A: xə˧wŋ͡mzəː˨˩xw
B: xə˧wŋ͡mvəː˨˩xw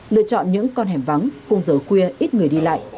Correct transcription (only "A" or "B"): A